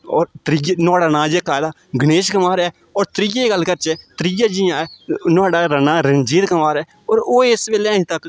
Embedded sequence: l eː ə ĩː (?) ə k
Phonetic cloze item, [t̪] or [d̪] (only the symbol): t̪